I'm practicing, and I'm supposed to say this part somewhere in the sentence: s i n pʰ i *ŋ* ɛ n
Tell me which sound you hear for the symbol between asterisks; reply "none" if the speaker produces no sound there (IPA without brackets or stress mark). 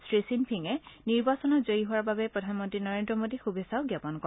ŋ